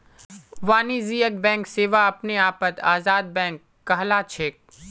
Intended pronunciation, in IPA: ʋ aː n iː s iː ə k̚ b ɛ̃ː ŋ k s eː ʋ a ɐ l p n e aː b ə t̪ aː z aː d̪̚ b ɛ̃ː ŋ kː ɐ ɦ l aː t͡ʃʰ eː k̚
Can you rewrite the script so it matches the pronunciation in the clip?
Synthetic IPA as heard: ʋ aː n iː z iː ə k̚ b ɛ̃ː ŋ k s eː ʋ a ɐ p n e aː p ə t̪ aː z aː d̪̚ b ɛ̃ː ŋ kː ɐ ɦ l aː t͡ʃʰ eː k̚